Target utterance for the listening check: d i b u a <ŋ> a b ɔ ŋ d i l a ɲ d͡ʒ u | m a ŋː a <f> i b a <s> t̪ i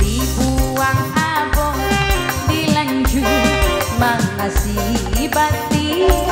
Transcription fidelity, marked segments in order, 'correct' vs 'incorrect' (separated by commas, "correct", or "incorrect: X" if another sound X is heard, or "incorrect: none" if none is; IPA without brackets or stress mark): correct, incorrect: s, incorrect: none